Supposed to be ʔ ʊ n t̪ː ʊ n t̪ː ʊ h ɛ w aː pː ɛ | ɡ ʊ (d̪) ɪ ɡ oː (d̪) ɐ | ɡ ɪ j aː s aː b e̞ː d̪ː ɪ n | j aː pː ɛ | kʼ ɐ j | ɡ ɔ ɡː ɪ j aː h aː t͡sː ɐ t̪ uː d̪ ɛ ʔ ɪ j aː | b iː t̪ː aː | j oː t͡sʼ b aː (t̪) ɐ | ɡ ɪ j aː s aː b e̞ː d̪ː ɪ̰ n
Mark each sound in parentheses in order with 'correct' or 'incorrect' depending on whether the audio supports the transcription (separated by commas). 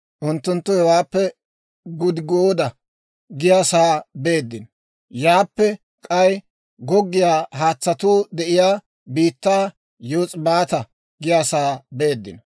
correct, correct, correct